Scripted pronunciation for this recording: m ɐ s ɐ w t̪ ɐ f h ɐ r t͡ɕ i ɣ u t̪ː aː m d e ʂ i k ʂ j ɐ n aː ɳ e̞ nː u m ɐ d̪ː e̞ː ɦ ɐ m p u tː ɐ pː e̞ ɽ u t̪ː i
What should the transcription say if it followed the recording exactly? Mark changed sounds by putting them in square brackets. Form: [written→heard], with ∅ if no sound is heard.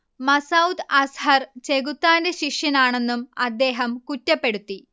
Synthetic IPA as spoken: m ɐ s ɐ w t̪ ɐ [f→s] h ɐ r t͡ɕ [i→e] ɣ u t̪ː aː [m→n] d e [ʂ→ɕ] i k ʂ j ɐ n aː ɳ e̞ nː u m ɐ d̪ː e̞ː ɦ ɐ m [p→k] u tː ɐ pː e̞ ɽ u t̪ː i